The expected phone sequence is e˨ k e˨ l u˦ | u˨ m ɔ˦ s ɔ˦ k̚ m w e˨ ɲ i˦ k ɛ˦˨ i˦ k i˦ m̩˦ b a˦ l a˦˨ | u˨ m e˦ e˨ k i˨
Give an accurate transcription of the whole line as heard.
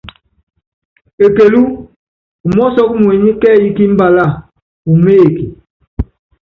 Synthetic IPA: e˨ k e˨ l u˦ | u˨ m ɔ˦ s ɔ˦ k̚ m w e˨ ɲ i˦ k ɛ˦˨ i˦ k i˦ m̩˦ b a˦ l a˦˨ | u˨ m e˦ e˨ k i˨